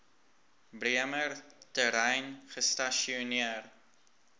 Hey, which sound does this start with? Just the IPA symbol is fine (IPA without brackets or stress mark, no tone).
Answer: b